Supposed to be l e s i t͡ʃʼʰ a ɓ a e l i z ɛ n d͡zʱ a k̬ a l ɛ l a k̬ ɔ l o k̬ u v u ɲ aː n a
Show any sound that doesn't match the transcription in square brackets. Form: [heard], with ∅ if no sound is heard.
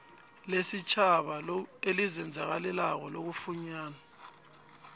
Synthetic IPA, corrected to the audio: l e s i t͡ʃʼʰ a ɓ a e l i z ɛ n d͡zʱ a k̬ a l ɛ l a k̬ ɔ l o k̬ u [f] u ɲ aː n a